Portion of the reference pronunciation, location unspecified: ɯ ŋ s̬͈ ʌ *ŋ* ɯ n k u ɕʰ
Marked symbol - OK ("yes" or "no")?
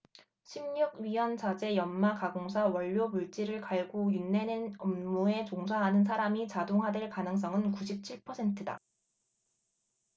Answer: yes